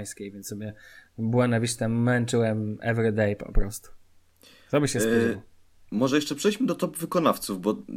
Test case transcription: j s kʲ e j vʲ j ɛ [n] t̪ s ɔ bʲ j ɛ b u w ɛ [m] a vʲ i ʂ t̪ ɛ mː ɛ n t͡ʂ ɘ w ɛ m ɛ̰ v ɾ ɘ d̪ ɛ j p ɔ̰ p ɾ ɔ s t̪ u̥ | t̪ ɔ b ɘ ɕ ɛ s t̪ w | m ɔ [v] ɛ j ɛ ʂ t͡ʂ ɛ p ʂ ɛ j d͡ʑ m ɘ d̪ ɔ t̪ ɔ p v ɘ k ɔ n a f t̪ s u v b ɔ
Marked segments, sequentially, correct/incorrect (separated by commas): correct, incorrect, incorrect